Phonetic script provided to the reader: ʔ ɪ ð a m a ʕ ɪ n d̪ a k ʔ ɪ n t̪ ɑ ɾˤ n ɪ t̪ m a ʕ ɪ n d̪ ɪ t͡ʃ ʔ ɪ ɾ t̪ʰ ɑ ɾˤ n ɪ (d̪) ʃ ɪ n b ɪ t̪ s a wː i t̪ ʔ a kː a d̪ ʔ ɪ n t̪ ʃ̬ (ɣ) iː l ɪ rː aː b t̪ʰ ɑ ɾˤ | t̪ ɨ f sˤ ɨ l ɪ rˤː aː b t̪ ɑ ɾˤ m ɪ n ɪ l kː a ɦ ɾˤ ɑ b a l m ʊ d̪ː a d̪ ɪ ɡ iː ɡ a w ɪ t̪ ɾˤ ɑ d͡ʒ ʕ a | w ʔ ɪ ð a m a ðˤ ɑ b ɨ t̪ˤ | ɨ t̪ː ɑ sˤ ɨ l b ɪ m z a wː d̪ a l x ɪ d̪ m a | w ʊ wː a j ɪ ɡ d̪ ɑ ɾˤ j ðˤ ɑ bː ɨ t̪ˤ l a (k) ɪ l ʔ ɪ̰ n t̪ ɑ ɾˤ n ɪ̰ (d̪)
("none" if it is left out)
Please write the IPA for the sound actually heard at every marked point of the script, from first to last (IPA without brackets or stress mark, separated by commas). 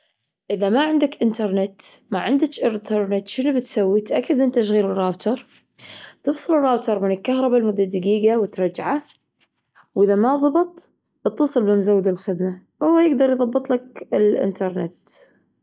t̪, ɣ, k, t̪